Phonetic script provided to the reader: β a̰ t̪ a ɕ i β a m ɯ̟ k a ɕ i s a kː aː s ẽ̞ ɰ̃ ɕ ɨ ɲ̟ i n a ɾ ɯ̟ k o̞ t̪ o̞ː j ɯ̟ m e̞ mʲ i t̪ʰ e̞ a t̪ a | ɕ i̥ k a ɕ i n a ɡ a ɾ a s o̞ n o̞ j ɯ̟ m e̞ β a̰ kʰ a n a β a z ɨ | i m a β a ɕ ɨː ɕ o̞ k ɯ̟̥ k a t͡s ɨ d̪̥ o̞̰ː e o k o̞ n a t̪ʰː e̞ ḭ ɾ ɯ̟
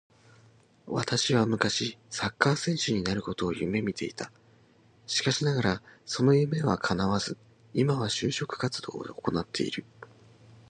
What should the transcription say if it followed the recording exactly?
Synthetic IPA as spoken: β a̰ t̪ a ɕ i β a m ɯ̟ k a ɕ i s a kː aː s ẽ̞ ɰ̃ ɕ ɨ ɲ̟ i n a ɾ ɯ̟ k o̞ t̪ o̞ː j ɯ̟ m e̞ mʲ i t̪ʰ e̞ i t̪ a | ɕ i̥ k a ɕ i n a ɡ a ɾ a s o̞ n o̞ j ɯ̟ m e̞ β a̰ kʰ a n a β a z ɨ | i m a β a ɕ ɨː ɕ o̞ k ɯ̟̥ k a t͡s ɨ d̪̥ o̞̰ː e o k o̞ n a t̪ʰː e̞ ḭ ɾ ɯ̟